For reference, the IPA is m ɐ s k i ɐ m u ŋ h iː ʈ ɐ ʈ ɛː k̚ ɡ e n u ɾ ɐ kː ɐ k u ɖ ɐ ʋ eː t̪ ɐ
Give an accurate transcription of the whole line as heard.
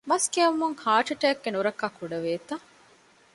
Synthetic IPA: m ɐ s k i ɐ m u ŋ h aː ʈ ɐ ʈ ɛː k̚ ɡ e n u ɾ ɐ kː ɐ k u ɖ ɐ ʋ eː t̪ ɐ